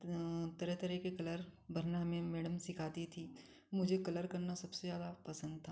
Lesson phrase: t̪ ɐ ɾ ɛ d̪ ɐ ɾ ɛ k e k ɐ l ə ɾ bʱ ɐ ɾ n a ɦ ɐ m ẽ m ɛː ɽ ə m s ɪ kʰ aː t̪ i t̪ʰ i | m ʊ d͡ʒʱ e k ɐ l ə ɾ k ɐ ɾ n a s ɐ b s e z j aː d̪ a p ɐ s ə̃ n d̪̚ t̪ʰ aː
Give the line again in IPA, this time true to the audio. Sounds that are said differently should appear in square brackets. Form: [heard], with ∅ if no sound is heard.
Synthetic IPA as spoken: t̪ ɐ ɾ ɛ [t̪] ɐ ɾ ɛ k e k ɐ l ə ɾ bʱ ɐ ɾ n a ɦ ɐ m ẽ m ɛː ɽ ə m s ɪ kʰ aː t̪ i t̪ʰ i | m ʊ d͡ʒʱ e k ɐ l ə ɾ k ɐ ɾ n a s ɐ b s e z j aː d̪ a p ɐ s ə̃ n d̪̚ t̪ʰ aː